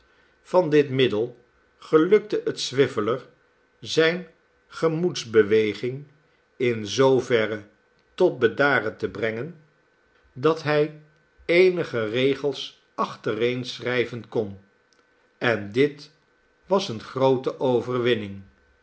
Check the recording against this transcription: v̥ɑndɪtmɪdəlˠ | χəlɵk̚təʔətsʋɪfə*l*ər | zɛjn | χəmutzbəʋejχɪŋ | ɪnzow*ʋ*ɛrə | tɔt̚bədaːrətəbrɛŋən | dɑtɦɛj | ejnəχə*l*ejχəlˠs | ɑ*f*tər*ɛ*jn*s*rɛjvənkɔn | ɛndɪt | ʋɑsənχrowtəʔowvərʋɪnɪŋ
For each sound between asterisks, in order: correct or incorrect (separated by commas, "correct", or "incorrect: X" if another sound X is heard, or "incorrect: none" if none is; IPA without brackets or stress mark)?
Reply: correct, incorrect: v, incorrect: r, incorrect: χ, incorrect: e, correct